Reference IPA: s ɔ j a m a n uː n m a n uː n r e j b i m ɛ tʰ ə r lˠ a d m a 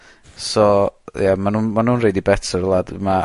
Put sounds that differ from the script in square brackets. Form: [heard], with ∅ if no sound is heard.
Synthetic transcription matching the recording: s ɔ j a m a n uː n m a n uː n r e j [d] i [b] ɛ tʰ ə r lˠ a d m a